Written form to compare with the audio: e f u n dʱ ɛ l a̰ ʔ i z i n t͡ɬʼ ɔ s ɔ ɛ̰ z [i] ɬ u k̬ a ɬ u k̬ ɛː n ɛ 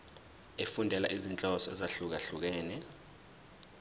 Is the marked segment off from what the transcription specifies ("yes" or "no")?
yes